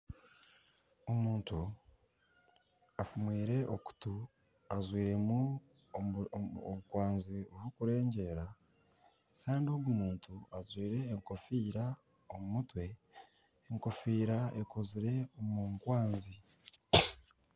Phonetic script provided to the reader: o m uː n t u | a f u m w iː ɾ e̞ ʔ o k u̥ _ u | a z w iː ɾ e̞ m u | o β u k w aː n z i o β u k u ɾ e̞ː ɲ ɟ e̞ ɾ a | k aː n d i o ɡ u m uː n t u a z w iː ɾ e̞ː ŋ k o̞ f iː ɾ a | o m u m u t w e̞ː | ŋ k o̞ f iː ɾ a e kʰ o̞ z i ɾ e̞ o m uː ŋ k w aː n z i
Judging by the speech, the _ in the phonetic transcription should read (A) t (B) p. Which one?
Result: A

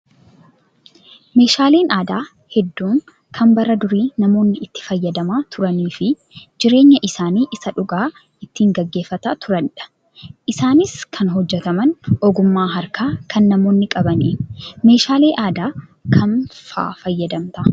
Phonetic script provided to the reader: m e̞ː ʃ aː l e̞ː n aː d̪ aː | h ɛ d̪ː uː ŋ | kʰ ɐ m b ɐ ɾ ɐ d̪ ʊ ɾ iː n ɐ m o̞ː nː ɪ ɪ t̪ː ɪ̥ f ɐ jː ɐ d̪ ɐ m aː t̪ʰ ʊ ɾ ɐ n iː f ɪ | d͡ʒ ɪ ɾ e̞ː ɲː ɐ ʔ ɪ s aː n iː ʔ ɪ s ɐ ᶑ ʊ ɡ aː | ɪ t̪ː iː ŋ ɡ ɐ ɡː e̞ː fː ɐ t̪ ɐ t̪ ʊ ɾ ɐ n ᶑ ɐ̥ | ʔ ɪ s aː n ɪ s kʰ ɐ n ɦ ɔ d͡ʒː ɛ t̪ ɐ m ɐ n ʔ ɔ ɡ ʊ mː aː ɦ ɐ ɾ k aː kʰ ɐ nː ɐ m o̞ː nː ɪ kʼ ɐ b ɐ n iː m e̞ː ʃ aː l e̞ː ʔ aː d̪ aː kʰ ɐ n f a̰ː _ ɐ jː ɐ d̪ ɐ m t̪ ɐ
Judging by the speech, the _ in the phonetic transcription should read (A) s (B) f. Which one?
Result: B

